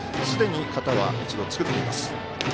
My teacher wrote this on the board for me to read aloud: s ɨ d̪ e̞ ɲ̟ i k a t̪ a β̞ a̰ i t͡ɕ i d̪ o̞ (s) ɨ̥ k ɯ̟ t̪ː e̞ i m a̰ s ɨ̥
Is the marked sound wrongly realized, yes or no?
yes